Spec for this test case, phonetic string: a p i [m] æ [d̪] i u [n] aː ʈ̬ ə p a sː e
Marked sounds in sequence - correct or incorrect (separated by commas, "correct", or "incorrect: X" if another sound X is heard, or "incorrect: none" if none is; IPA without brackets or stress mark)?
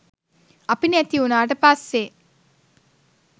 incorrect: n, incorrect: t̪, correct